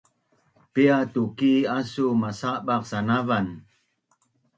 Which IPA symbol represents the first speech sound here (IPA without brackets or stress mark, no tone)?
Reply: p